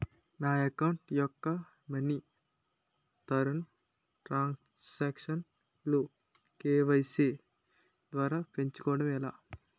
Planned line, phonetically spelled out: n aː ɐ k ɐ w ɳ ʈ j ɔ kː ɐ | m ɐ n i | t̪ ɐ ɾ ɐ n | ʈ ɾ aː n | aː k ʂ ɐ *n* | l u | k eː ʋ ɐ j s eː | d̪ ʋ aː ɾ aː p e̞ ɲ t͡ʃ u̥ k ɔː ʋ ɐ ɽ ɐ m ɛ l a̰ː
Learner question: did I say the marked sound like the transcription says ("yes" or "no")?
yes